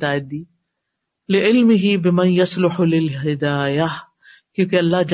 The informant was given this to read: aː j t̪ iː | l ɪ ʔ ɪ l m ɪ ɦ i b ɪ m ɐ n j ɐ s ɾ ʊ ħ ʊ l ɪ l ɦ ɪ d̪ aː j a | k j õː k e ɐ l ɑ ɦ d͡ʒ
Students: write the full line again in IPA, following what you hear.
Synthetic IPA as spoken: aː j d̪ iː | l ɪ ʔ ɪ l m ɪ ɦ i b ɪ m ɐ n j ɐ s l ʊ ħ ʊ l ɪ l ɦ ɪ d̪ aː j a | k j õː k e ɐ lː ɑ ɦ d͡ʒ